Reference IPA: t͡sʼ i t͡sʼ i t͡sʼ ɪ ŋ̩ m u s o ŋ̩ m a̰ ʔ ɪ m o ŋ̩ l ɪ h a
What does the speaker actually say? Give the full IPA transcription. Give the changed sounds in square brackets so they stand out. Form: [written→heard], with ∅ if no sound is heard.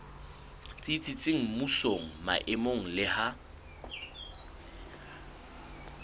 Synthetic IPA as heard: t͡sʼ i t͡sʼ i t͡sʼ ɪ ŋ̩ m u s o ŋ̩ m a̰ ʔ ɪ m o ŋ̩ l ɪ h a